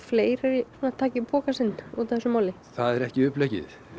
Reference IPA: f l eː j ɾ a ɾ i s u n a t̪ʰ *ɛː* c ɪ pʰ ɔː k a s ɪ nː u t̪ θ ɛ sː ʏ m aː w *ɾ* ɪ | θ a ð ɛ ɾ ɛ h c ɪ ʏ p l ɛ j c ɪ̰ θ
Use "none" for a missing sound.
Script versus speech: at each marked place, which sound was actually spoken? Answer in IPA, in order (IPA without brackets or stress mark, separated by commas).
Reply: aː, l